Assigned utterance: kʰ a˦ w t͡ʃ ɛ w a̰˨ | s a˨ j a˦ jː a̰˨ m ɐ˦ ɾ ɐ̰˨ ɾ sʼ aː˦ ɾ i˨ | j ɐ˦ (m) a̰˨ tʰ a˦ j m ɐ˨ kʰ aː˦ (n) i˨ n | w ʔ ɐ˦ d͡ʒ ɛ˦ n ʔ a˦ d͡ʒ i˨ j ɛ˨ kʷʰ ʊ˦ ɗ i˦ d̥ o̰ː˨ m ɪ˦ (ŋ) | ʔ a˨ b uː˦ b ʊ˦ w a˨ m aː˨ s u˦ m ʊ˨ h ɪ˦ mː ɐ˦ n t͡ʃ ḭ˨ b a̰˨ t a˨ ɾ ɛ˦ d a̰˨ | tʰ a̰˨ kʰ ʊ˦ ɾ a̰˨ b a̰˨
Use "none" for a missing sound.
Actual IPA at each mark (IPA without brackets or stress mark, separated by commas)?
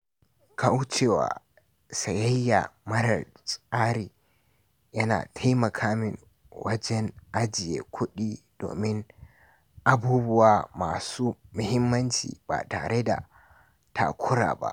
n, m, n